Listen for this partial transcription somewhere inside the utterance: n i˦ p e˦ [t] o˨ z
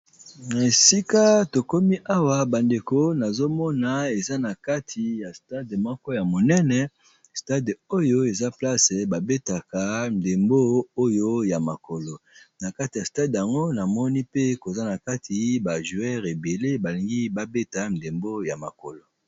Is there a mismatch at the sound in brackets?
yes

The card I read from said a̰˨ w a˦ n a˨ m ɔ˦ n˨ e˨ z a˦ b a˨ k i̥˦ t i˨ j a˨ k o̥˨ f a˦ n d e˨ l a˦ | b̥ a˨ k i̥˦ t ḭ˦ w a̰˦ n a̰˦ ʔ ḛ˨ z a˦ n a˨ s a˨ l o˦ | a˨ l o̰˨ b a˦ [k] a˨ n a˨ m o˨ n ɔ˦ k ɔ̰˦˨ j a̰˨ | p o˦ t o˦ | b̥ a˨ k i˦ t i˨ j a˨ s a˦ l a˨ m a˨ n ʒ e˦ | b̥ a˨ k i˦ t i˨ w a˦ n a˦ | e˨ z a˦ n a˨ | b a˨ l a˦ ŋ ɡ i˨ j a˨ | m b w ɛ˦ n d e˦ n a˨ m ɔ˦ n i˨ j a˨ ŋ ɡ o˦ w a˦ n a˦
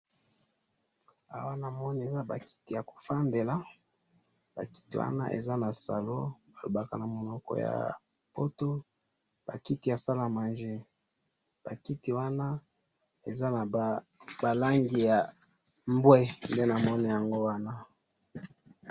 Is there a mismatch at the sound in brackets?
no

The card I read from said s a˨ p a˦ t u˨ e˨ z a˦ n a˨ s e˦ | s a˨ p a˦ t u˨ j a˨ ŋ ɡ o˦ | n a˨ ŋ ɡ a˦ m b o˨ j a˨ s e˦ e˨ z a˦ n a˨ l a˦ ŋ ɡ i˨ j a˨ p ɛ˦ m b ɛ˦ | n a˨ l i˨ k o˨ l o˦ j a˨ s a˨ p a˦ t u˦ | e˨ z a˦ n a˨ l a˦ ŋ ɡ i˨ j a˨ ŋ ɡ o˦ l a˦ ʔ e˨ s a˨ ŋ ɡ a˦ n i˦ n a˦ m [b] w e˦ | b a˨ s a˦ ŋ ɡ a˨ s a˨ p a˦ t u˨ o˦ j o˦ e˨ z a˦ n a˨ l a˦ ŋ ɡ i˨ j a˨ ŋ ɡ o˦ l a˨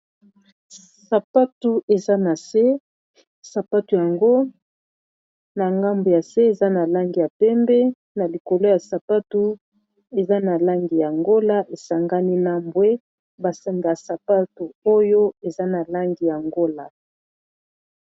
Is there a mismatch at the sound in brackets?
no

